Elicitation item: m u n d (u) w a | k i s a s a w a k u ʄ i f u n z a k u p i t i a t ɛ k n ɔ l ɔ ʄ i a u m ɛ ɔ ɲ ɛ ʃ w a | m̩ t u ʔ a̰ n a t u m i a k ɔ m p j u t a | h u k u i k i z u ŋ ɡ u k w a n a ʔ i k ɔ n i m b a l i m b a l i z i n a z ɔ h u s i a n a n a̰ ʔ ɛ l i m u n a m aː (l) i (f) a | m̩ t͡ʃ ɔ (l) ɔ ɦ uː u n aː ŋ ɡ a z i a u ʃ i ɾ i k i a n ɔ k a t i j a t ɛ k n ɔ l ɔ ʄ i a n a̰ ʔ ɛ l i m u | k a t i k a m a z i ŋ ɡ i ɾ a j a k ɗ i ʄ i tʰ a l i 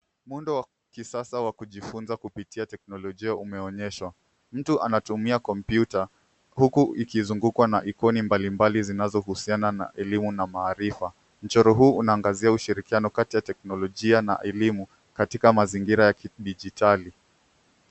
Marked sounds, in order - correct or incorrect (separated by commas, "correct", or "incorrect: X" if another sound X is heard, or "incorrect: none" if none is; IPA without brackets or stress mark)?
incorrect: ɔ, incorrect: ɾ, correct, incorrect: ɾ